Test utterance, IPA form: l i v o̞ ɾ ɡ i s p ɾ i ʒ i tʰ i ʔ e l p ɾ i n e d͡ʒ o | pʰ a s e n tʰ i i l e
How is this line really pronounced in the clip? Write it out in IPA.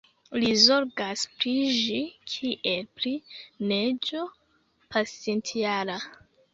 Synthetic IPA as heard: l i z o̞ ɾ ɡ a s p ɾ i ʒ i kʰ i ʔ e l p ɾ i n e d͡ʒ o | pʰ a s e n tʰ i a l a

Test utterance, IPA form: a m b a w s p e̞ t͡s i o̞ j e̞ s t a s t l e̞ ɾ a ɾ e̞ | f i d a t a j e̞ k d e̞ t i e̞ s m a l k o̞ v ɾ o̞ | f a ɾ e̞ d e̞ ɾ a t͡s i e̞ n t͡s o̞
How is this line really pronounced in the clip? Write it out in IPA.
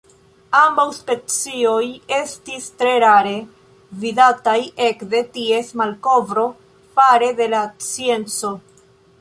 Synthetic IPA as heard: a m b a w s p e̞ t͡s i o̞ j e̞ s t i s t ɾ e̞ ɾ a ɾ e̞ | v i d a t a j e̞ k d e̞ t i e̞ s m a l k o̞ v ɾ o̞ | f a ɾ e̞ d e̞ l a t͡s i e̞ n t͡s o̞

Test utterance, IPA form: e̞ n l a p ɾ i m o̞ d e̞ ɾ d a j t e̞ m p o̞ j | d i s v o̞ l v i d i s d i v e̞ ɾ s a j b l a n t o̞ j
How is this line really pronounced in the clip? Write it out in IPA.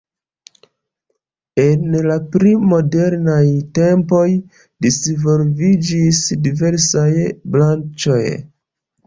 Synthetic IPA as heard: e̞ n l a p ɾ i m o̞ d e̞ ɾ n a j t e̞ m p o̞ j | d i s v o̞ l v i d͡ʒ i s d i v e̞ ɾ s a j b l a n t͡ʃ o̞ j

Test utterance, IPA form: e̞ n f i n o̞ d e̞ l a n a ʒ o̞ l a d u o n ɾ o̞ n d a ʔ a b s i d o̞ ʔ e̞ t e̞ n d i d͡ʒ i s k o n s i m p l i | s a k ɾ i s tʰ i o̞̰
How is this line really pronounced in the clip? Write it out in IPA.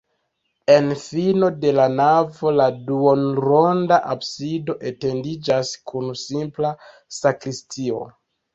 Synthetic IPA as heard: e̞ n f i n o̞ d e̞ l a n a v o̞ l a d u o n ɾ o̞ n d a ʔ a b s i d o̞ ʔ e̞ t e̞ n d i d͡ʒ a s k u n s i m p l a | s a k ɾ i s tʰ i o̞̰

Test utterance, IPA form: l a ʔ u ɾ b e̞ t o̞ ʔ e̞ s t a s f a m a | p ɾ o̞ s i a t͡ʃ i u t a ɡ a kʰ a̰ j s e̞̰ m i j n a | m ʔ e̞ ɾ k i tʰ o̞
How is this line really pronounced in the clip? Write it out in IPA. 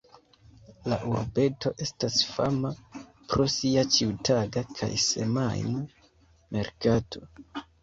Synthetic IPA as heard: l a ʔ u ɾ b e̞ t o̞ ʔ e̞ s t a s f a m a | p ɾ o̞ s i a t͡ʃ i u t a ɡ a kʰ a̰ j s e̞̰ m a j n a | m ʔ e̞ ɾ k a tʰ o̞

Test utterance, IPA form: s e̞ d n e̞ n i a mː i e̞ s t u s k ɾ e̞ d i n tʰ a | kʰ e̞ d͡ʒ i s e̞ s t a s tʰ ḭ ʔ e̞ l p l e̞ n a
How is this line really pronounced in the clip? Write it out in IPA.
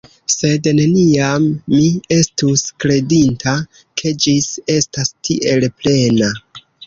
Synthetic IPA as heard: s e̞ d n e̞ n i a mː i e̞ s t u s k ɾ e̞ d i n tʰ a | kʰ e̞ d͡ʒ i s e̞ s t a s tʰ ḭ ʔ e̞ l p l e̞ n a

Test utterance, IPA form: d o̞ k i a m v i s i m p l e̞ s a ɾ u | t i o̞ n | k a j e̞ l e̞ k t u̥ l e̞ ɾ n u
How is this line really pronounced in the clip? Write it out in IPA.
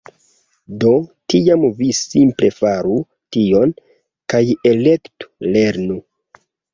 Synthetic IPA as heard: d o̞ t i a m v i s i m p l e̞ f a ɾ u | t i o̞ n | k a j e̞ l e̞ k t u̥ l e̞ ɾ n u

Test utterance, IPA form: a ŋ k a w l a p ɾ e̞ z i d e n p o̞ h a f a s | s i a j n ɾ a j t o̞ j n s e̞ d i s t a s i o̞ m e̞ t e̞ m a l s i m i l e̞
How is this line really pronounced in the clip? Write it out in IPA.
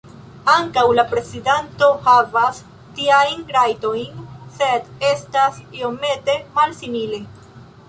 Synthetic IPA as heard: a ŋ k a w l a p ɾ e̞ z i d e n t o̞ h a v a s | t i a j n ɾ a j t o̞ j n s e̞ d e s t a s i o̞ m e̞ t e̞ m a l s i m i l e̞

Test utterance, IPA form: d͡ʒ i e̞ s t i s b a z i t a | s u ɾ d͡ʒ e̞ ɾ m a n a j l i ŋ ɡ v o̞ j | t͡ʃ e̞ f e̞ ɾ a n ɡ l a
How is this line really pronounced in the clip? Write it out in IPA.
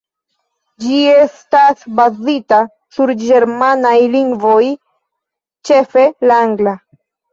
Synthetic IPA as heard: d͡ʒ i e̞ s t a s b a z i t a | s u ɾ d͡ʒ e̞ ɾ m a n a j l i ŋ ɡ v o̞ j | t͡ʃ e̞ f e̞ l a ŋ ɡ l a

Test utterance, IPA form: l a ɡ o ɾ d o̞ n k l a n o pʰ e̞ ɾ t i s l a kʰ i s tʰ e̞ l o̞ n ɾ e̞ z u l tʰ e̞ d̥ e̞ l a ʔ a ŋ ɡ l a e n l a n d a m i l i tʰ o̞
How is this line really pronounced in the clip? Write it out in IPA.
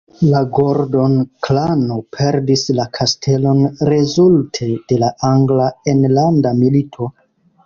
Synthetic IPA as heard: l a ɡ o ɾ d o̞ n k l a n o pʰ e̞ ɾ d i s l a kʰ a s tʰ e̞ l o̞ n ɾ e̞ z u l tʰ e̞ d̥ e̞ l a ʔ a ŋ ɡ l a e n l a n d a m i l i tʰ o̞

